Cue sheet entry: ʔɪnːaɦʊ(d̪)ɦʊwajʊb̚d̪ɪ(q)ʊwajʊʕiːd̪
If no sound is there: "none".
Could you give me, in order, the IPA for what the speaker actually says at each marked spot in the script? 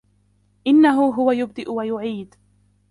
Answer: none, ʔ

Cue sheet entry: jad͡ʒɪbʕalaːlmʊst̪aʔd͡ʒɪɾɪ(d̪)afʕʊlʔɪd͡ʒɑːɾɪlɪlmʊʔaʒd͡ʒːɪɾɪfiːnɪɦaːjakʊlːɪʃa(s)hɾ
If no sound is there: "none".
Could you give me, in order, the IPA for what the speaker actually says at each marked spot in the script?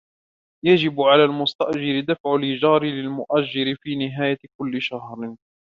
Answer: d̪, none

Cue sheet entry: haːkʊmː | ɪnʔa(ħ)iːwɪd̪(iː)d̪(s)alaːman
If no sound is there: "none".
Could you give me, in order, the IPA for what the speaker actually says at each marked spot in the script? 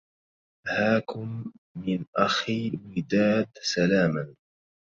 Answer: x, aː, s

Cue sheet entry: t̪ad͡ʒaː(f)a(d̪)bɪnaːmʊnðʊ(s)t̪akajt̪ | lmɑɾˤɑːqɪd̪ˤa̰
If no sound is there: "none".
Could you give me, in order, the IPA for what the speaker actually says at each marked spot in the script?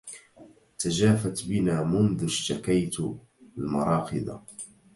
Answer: f, t̪, ʃ

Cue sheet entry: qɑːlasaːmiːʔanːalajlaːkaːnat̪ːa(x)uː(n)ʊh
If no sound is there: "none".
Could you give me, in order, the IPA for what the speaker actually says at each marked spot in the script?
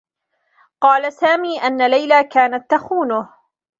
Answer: x, n

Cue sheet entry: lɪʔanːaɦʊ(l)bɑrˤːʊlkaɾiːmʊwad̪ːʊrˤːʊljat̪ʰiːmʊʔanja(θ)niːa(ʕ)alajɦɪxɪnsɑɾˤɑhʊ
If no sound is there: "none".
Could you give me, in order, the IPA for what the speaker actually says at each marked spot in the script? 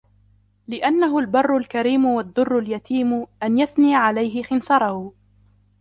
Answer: l, θ, ʕ

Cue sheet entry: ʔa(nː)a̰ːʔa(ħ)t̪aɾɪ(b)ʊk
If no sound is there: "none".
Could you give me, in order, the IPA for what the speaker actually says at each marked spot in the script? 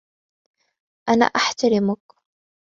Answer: n, ħ, m

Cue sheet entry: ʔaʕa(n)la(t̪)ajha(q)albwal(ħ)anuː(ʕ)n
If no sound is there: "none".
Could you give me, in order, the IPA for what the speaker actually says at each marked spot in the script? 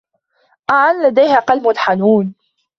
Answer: n, d̪, q, ħ, none

